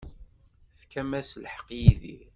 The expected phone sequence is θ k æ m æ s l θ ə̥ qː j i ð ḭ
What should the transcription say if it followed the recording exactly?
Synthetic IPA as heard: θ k æ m æ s l ħ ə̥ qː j i ð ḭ